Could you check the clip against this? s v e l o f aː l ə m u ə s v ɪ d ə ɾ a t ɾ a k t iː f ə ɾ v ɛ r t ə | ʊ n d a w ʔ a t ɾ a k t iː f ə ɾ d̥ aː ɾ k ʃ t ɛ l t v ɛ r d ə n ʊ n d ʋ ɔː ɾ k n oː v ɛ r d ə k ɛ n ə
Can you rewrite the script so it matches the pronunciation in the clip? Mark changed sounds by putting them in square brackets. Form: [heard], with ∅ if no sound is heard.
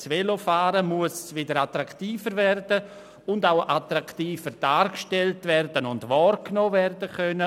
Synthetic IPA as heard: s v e l o f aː [ɾ] ə m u ə s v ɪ d ə ɾ a t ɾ a k t iː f ə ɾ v ɛ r [d] ə | ʊ n d a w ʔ a t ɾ a k t iː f ə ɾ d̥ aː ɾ k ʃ t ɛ l t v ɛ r d ə n ʊ n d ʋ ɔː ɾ k n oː v ɛ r d ə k [œ] n ə

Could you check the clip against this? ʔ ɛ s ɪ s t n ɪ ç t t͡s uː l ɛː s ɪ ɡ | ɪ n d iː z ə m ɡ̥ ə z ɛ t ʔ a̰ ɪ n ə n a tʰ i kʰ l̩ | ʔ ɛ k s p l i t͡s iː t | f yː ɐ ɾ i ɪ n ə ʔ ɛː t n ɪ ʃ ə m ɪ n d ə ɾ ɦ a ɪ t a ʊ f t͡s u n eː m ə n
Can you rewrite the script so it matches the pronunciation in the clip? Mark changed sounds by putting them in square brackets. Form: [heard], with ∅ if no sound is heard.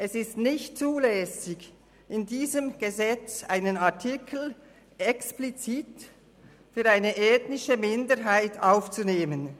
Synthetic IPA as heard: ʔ ɛ s ɪ s t n ɪ ç t t͡s uː l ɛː s ɪ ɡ | ɪ n d iː z ə m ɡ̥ ə z ɛ [t͡s] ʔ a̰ ɪ n ə n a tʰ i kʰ l̩ | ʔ ɛ k s p l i t͡s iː t | f yː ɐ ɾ [a] ɪ n ə ʔ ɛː t n ɪ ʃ ə m ɪ n d ə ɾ ɦ a ɪ t a ʊ f t͡s u n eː m ə n

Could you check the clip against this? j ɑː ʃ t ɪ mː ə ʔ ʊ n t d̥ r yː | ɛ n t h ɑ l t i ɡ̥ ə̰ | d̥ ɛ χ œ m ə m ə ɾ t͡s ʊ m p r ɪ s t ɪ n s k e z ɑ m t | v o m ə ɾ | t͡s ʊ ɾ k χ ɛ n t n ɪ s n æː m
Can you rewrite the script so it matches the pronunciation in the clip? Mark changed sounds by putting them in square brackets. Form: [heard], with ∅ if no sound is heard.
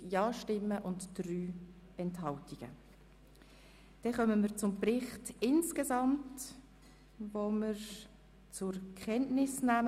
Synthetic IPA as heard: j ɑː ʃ t ɪ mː ə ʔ ʊ n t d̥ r yː | ɛ n t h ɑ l t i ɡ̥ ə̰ | d̥ ɛ χ œ m ə m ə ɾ t͡s ʊ m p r ɪ [χ] t ɪ n s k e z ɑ m t | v o m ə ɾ | t͡s ʊ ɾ k χ ɛ n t n ɪ s n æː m

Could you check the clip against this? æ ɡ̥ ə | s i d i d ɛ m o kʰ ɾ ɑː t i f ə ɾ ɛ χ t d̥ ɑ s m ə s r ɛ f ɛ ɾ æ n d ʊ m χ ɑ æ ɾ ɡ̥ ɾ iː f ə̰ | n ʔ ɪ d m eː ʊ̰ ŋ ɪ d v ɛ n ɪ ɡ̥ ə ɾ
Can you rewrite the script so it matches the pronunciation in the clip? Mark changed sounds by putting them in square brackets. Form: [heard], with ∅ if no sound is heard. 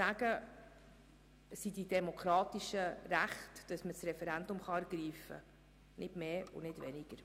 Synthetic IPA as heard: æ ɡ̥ ə | s i d i d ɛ m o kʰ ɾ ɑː t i [ʃ] ə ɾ [æ] χ t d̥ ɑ s m ə s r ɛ f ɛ ɾ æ n d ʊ m χ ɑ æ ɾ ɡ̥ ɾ iː f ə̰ | n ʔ ɪ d m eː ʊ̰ [n] ɪ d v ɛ n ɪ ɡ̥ ə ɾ

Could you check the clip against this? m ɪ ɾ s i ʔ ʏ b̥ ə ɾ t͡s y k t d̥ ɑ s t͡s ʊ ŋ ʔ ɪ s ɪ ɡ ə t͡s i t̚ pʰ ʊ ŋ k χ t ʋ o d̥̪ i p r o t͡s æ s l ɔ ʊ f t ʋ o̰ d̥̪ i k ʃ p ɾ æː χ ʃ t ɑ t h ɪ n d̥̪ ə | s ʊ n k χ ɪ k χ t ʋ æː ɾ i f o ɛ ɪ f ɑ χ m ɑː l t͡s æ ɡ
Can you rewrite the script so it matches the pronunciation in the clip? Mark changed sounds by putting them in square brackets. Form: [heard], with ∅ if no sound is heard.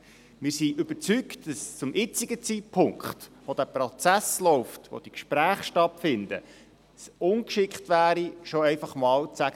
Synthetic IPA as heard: m ɪ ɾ s i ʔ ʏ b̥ ə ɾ t͡s y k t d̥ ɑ s t͡s ʊ [m] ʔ ɪ [t͡s] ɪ ɡ ə t͡s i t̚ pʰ ʊ ŋ k χ t ʋ o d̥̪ [æ] p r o t͡s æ s l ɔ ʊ f t ʋ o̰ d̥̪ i k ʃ p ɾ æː χ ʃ t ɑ t [f] ɪ n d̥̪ ə | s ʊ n k [ʃ] ɪ k χ t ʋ æː ɾ i [ʃ] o ɛ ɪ f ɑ χ m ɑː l t͡s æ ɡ

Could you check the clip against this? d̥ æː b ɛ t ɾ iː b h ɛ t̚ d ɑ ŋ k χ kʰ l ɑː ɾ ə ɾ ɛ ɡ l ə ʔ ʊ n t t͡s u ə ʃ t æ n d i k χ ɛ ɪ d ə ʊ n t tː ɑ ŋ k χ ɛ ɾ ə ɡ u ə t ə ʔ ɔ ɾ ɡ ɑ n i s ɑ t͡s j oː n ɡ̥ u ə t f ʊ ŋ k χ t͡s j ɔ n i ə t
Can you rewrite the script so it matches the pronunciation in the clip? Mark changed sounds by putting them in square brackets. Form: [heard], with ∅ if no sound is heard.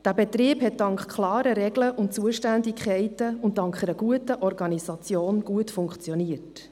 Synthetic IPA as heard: d̥ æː b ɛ t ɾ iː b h ɛ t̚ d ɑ ŋ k χ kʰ l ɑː ɾ ə ɾ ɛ ɡ l ə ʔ ʊ n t t͡s u ə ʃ t æ n d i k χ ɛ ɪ [t] ə ʊ n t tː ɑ ŋ k χ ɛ ɾ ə ɡ u ə t ə ʔ ɔ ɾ ɡ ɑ n i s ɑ t͡s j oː n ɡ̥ u ə t f ʊ ŋ k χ t͡s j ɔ n i ə t

